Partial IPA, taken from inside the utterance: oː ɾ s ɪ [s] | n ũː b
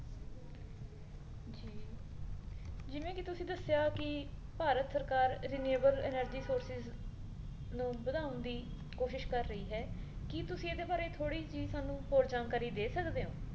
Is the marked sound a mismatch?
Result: yes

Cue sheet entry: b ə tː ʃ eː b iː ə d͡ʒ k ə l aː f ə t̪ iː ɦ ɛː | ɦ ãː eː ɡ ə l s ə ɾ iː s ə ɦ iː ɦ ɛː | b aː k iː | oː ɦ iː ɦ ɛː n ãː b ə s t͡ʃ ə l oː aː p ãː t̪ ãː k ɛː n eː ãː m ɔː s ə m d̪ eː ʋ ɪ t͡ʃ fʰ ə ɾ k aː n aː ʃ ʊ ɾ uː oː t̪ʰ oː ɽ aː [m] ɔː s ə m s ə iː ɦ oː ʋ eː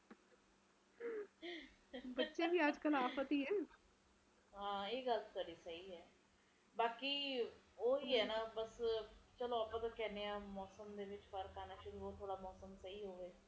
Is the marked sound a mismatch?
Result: no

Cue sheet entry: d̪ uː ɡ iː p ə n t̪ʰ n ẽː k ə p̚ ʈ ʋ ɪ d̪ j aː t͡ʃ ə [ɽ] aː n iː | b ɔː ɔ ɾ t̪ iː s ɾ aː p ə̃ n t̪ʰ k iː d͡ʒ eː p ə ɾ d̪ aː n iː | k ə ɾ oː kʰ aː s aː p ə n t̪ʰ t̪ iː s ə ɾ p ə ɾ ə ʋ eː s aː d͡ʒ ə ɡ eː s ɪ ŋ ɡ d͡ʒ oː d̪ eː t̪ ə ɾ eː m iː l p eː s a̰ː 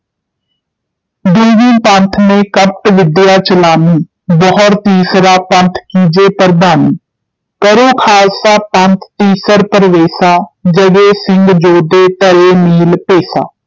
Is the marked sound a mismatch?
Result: yes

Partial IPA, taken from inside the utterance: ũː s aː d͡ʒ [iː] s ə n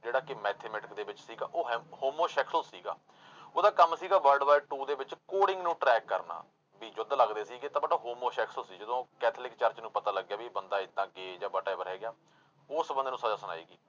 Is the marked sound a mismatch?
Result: yes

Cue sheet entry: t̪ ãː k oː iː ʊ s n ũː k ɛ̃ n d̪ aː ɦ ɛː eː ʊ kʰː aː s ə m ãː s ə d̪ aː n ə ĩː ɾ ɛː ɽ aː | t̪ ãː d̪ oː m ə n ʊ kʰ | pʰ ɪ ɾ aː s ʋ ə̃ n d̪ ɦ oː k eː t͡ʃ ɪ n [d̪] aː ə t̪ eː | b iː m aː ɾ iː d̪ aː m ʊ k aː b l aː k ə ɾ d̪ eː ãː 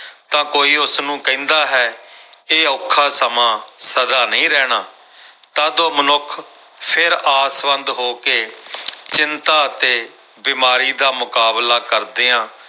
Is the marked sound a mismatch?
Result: yes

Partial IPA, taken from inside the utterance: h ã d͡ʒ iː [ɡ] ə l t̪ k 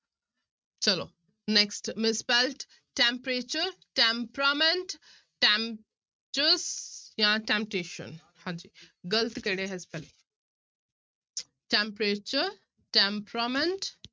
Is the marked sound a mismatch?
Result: no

